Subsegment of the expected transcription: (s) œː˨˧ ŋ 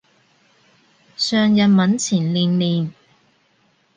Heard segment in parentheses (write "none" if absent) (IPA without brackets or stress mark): s